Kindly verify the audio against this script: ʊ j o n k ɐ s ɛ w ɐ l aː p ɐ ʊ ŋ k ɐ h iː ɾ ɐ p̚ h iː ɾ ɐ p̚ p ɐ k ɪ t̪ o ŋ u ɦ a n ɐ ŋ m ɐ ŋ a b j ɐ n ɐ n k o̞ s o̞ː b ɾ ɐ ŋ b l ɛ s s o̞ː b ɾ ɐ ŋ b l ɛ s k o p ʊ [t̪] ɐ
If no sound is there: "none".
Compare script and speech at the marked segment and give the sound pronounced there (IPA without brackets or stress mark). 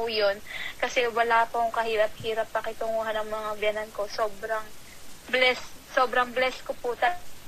t̪